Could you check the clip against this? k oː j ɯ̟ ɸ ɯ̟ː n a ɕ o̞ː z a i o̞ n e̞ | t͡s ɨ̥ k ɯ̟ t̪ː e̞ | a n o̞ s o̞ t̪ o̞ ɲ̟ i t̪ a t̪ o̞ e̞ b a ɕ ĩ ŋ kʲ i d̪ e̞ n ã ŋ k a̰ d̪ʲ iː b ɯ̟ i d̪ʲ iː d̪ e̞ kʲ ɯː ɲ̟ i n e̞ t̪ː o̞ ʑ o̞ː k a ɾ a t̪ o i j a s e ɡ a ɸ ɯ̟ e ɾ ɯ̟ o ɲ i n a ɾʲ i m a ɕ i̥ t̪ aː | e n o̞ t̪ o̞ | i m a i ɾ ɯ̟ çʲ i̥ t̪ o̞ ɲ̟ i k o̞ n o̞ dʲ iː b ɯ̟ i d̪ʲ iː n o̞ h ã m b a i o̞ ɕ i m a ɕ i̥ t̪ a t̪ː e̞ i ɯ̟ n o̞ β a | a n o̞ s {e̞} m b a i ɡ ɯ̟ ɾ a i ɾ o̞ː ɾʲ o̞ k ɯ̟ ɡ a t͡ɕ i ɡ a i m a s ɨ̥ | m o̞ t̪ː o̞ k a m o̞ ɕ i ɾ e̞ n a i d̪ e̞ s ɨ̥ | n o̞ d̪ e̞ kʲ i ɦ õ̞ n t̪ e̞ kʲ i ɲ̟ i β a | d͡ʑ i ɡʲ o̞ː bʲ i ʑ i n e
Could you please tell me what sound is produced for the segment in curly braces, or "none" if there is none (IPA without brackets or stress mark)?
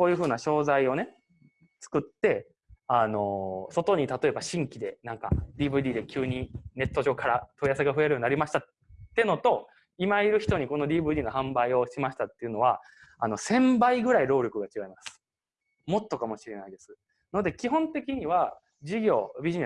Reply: ẽ̞